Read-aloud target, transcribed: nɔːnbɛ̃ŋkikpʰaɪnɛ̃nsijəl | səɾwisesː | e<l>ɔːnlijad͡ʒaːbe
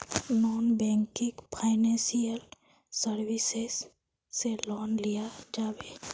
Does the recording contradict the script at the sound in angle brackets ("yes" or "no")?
no